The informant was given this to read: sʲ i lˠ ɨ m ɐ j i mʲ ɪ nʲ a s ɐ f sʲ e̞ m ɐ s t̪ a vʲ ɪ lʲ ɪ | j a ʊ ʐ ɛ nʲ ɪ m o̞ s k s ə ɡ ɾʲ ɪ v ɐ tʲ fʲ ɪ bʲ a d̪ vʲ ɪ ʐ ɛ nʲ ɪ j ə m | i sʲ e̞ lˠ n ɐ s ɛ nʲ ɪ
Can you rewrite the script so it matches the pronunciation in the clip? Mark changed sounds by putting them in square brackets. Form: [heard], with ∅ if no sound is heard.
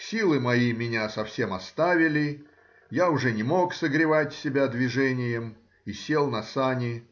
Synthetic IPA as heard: sʲ i lˠ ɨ m ɐ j i mʲ ɪ nʲ a s ɐ f sʲ e̞ m ɐ s t̪ a vʲ ɪ lʲ ɪ | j a ʊ ʐ ɛ nʲ ɪ m o̞ [∅] k s ə ɡ ɾʲ ɪ v [a] tʲ [sʲ] ɪ bʲ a d̪ vʲ ɪ ʐ ɛ nʲ ɪ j ə m | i sʲ e̞ lˠ n ɐ s [a] nʲ ɪ

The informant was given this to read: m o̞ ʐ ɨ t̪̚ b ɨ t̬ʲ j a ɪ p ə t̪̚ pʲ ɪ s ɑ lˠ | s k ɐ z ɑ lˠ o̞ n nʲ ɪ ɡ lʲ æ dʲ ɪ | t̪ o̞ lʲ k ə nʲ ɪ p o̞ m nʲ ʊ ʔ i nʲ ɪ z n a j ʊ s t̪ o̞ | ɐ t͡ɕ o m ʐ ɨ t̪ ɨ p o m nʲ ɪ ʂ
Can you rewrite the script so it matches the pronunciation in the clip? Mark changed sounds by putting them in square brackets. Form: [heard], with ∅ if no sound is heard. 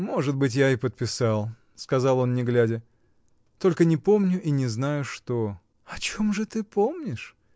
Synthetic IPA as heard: m o̞ ʐ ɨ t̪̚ b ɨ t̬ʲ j a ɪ p ə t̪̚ pʲ ɪ s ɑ lˠ | s k ɐ z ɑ lˠ o̞ n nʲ ɪ ɡ lʲ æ dʲ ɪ | t̪ o̞ lʲ k ə nʲ ɪ p o̞ m nʲ ʊ ʔ i nʲ ɪ z n a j ʊ [ʂ] t̪ o̞ | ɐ t͡ɕ o m ʐ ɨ t̪ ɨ p o m nʲ ɪ ʂ

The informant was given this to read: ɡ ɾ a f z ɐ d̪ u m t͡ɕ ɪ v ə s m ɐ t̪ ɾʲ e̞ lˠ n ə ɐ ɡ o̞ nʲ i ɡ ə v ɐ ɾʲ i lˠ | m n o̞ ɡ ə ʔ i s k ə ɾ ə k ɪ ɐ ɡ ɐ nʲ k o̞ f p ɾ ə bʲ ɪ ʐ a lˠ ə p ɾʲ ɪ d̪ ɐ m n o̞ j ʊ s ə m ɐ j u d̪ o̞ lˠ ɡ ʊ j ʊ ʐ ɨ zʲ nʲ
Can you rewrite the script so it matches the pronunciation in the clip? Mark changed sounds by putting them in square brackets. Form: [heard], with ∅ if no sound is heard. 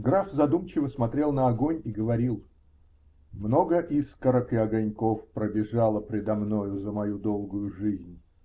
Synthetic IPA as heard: ɡ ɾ a f z ɐ d̪ u m t͡ɕ ɪ v ə s m ɐ t̪ ɾʲ e̞ lˠ n ə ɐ ɡ o̞ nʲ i ɡ ə v ɐ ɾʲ i lˠ | m n o̞ ɡ ə ʔ i s k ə ɾ ə k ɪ ɐ ɡ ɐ nʲ k o̞ f p ɾ ə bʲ ɪ ʐ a lˠ ə p ɾʲ ɪ d̪ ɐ m n o̞ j ʊ [z] ə m ɐ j u d̪ o̞ lˠ ɡ ʊ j ʊ ʐ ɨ zʲ nʲ

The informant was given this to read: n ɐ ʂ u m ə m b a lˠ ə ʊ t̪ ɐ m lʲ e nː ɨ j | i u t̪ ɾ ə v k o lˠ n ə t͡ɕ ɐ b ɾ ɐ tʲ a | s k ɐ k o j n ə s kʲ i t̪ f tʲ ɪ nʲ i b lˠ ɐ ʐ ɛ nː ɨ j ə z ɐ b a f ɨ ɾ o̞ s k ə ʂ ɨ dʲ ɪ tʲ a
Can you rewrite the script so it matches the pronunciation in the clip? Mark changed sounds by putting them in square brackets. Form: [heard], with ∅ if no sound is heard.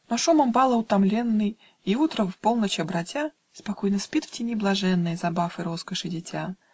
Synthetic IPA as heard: n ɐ ʂ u m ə m b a lˠ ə ʊ t̪ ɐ m lʲ e nː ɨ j | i u t̪ ɾ ə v [p] o lˠ n ə t͡ɕ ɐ b ɾ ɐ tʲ a | s [p] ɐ k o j n ə s [pʲ] i t̪ f tʲ ɪ nʲ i b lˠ ɐ ʐ ɛ nː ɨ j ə z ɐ b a f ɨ ɾ o̞ s k ə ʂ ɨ dʲ ɪ tʲ a

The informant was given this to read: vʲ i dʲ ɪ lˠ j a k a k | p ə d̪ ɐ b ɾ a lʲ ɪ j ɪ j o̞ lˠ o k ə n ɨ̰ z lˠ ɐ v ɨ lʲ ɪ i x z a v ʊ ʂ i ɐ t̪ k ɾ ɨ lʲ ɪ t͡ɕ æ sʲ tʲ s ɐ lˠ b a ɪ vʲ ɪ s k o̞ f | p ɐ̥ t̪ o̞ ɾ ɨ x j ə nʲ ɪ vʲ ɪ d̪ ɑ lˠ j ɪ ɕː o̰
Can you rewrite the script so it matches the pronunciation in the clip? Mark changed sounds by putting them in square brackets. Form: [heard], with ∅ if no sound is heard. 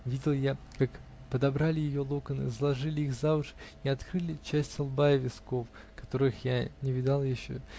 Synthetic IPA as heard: vʲ i dʲ ɪ lˠ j a k a k | p ə d̪ ɐ b ɾ a lʲ ɪ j ɪ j o̞ lˠ o k ə n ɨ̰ z lˠ ɐ [ʐ] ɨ lʲ ɪ i x z a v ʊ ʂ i ɐ t̪ k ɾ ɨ lʲ ɪ t͡ɕ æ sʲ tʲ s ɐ lˠ b a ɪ vʲ ɪ s k o̞ f | [k] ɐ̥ t̪ o̞ ɾ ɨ x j [a] nʲ ɪ vʲ ɪ d̪ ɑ lˠ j ɪ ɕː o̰

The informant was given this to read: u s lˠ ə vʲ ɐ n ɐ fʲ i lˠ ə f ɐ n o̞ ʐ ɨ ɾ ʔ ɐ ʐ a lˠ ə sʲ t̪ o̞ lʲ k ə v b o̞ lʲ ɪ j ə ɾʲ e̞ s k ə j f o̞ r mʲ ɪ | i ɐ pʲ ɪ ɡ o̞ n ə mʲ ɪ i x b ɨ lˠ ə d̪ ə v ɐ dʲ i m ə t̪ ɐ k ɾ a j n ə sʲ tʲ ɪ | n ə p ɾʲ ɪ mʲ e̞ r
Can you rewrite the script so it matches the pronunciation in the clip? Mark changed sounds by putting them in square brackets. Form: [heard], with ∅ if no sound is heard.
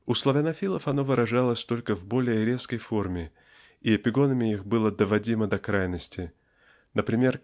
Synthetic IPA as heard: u s lˠ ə vʲ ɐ n ɐ fʲ i lˠ ə f ɐ n o̞ [v] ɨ ɾ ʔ ɐ ʐ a lˠ ə sʲ t̪ o̞ lʲ k ə v b o̞ lʲ ɪ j ə ɾʲ e̞ s k ə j f o̞ r mʲ ɪ | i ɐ pʲ ɪ ɡ o̞ n ə mʲ ɪ i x b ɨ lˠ ə d̪ ə v ɐ dʲ i m ə [d̪] ɐ k ɾ a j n ə sʲ tʲ ɪ | n ə p ɾʲ ɪ mʲ e̞ r

